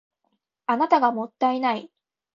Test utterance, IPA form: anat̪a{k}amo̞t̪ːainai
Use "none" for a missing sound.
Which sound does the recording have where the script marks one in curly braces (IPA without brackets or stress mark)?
ɡ